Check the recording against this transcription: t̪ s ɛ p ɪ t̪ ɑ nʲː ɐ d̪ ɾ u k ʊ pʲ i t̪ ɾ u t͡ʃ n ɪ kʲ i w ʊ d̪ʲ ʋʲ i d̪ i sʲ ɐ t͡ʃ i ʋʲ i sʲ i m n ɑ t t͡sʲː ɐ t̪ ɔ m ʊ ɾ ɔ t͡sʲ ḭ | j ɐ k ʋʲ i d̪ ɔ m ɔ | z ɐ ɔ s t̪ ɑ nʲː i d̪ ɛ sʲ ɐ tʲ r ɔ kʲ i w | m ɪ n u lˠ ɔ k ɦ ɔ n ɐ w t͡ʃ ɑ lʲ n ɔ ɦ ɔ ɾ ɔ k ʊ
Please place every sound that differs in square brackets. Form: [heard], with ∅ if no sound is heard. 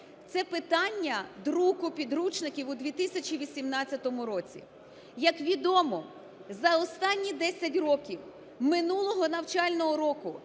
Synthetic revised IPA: t̪ s ɛ p ɪ t̪ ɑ nʲː ɐ d̪ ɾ u k ʊ pʲ i [d̪] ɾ u t͡ʃ n ɪ kʲ i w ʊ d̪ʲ ʋʲ i [t̪] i sʲ ɐ t͡ʃ i ʋʲ i sʲ i m n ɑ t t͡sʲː ɐ t̪ ɔ m ʊ ɾ ɔ t͡sʲ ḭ | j ɐ k ʋʲ i d̪ ɔ m ɔ | z ɐ ɔ s t̪ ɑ nʲː i d̪ ɛ sʲ ɐ tʲ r ɔ kʲ i w | m ɪ n u lˠ ɔ [∅] ɦ ɔ n ɐ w t͡ʃ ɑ lʲ n ɔ ɦ ɔ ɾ ɔ k ʊ